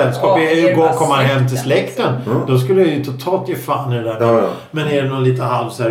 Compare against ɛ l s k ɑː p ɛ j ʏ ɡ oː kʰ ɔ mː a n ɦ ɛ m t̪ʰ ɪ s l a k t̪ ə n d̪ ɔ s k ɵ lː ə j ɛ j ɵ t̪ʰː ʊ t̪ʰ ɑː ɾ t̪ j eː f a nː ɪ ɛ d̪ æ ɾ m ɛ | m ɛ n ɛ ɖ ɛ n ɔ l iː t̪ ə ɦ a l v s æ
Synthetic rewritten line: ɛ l s k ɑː p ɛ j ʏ ɡ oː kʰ ɔ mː a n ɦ ɛ m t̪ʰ ɪ s l ɛ k t̪ ə n d̪ ɔ s k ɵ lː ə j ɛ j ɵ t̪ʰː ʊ t̪ʰ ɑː l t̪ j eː f a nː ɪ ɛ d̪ æ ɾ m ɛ | m ɛ n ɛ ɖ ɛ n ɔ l iː t̪ ə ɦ a l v s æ